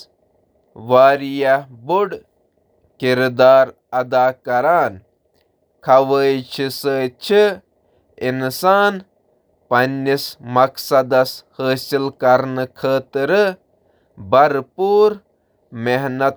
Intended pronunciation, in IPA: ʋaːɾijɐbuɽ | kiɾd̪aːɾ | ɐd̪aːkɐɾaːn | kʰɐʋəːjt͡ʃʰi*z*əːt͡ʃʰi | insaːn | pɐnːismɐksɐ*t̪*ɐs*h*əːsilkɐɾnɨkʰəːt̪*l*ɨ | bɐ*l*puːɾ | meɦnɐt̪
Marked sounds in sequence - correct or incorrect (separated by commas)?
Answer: incorrect, incorrect, correct, incorrect, incorrect